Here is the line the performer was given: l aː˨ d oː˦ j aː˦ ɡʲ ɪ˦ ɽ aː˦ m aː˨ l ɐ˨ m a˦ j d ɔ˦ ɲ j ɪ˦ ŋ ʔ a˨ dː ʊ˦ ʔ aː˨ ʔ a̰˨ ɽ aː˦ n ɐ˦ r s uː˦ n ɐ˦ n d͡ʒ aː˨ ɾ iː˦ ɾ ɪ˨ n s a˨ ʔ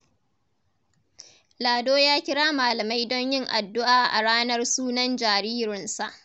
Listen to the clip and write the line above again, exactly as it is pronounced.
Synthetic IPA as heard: l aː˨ d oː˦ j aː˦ kʲ ɪ˦ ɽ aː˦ m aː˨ l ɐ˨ m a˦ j d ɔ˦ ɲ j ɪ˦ ŋ ʔ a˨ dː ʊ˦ ʔ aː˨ ʔ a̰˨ ɽ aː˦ n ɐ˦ r s uː˦ n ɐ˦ n d͡ʒ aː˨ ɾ iː˦ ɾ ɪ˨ n s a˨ ʔ